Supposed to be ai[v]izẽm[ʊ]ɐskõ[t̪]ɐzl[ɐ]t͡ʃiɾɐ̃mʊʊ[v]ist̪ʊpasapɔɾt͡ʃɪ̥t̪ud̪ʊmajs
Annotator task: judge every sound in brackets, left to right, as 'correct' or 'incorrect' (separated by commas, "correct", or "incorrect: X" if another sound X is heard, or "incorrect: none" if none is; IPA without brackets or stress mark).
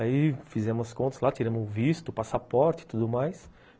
incorrect: f, correct, correct, incorrect: a, correct